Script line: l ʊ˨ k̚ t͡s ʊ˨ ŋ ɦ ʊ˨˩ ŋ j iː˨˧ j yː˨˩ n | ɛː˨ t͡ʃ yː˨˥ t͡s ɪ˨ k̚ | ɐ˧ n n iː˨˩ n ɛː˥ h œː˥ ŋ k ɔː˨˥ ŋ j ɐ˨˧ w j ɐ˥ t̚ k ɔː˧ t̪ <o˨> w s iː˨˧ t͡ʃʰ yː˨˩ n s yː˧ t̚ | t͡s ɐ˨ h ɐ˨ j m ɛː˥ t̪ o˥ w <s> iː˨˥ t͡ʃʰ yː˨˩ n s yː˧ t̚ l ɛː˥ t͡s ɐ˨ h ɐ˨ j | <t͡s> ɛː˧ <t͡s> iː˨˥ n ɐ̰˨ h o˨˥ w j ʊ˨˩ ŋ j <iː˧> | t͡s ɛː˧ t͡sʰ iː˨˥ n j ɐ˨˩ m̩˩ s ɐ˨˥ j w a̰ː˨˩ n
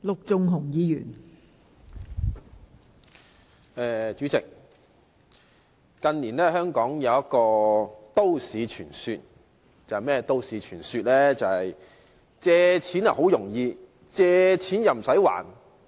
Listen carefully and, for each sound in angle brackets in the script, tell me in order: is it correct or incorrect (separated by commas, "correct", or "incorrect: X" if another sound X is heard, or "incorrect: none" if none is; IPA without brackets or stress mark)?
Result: incorrect: o˥, correct, correct, incorrect: t͡sʰ, correct